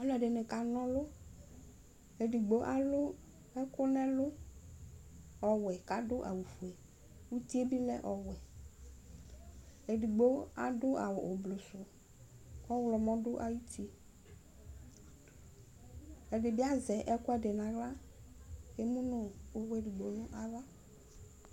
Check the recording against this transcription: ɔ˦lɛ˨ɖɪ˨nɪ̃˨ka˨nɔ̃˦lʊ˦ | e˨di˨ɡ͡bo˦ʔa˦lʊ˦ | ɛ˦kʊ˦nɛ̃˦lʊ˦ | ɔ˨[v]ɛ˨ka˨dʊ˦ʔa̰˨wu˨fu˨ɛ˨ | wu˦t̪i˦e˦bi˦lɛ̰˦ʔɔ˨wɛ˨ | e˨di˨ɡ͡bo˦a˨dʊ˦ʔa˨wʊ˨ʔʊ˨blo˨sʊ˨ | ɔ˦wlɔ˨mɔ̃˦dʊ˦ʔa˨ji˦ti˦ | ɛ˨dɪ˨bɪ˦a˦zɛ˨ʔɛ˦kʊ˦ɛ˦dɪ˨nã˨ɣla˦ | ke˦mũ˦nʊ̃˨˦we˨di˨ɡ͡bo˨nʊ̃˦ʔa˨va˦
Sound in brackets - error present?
yes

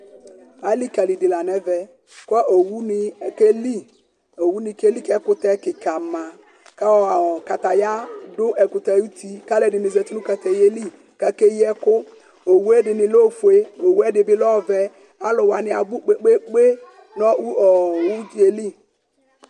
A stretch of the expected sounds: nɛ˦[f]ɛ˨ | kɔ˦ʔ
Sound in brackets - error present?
yes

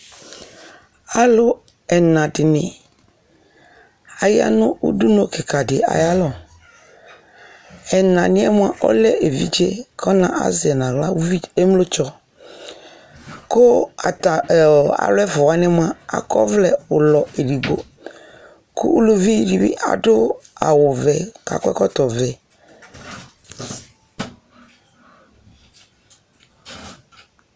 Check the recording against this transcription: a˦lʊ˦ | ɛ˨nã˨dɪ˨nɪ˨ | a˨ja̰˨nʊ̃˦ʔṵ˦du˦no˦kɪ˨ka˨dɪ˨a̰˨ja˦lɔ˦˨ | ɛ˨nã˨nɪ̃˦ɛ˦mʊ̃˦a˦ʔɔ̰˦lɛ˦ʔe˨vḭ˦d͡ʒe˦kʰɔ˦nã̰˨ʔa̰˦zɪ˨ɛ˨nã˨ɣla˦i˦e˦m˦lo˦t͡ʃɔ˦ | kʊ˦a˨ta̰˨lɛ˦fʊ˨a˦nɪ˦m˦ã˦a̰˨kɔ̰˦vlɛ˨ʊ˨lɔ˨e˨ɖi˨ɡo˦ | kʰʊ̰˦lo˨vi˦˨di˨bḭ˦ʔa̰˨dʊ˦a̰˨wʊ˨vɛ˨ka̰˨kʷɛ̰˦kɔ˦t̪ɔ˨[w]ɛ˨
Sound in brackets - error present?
yes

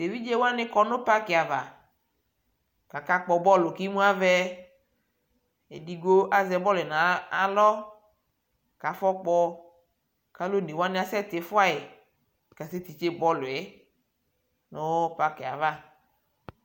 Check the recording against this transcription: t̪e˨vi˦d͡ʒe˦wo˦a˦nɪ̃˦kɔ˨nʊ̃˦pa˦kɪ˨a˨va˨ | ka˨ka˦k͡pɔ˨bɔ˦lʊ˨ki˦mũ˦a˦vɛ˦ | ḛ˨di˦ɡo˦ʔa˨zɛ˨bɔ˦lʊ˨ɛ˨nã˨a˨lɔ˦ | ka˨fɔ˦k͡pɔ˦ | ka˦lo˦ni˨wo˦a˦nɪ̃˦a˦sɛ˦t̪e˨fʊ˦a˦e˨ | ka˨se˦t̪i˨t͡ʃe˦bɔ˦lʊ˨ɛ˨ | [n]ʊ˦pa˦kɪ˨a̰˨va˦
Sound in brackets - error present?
no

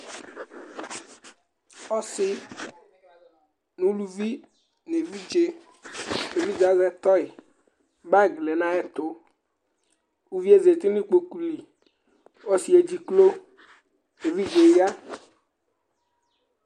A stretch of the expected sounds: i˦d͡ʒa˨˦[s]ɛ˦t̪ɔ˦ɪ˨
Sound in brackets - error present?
yes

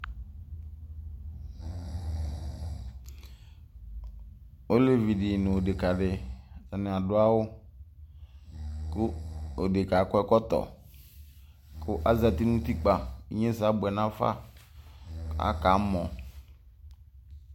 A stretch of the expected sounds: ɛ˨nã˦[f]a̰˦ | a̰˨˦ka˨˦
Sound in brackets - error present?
no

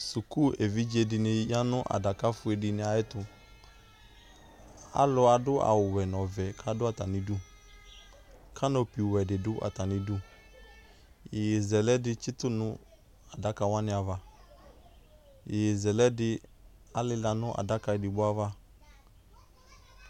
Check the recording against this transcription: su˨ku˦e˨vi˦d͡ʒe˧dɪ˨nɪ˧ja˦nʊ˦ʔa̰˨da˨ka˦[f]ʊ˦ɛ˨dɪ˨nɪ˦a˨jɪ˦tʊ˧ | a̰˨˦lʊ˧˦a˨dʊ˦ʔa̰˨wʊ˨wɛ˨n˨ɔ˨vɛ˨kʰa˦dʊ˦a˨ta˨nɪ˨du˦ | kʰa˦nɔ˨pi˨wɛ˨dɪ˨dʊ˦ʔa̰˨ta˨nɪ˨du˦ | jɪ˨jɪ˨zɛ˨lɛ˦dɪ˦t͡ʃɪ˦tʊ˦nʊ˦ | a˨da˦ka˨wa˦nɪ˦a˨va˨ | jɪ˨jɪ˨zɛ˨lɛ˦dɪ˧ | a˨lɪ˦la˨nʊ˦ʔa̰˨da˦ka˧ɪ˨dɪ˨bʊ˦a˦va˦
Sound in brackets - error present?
no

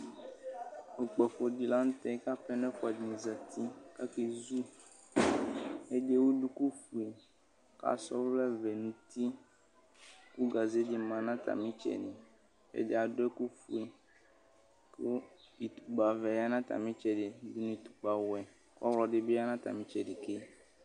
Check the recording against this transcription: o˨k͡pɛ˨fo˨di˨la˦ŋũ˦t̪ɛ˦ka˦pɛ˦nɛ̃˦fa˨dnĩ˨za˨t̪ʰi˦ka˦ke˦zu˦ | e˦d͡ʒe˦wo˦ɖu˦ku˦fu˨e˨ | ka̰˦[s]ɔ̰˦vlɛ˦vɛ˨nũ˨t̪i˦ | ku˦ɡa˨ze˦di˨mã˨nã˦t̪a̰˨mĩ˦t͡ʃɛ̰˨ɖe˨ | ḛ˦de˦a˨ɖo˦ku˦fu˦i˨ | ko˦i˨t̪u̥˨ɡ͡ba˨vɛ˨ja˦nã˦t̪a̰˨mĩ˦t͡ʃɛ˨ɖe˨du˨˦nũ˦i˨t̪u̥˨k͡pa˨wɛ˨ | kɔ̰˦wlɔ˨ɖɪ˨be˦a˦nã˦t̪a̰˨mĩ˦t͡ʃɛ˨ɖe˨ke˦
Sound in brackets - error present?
no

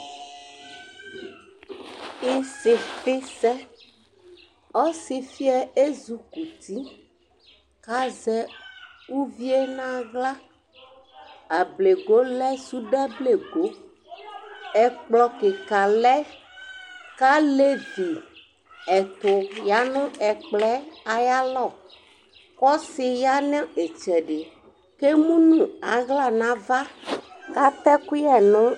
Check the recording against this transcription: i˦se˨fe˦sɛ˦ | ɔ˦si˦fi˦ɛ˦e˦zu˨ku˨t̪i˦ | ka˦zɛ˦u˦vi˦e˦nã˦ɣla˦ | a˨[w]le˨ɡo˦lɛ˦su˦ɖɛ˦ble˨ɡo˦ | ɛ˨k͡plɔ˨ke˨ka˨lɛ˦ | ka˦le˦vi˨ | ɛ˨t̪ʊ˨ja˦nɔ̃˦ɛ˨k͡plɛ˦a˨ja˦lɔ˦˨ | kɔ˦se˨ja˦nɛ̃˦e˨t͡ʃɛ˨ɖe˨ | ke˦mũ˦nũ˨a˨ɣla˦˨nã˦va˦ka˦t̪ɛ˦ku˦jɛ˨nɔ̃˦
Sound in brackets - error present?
yes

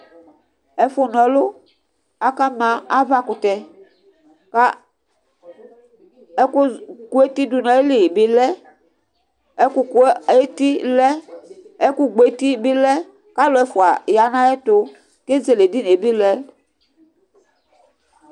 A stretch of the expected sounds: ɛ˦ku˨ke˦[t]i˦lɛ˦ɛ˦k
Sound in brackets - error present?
no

